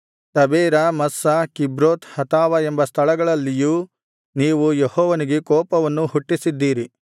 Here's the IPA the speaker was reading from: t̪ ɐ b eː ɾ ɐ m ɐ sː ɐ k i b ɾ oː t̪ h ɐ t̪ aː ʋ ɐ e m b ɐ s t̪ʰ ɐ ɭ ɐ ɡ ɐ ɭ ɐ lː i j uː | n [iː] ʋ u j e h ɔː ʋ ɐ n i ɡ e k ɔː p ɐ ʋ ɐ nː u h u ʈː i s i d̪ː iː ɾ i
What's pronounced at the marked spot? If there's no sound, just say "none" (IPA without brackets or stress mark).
iː